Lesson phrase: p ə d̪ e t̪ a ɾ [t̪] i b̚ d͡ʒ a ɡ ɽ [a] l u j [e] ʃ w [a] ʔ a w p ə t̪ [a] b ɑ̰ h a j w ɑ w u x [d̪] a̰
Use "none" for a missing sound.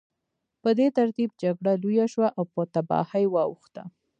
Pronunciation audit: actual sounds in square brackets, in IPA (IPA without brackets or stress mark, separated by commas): t̪, a, a, a, a, t̪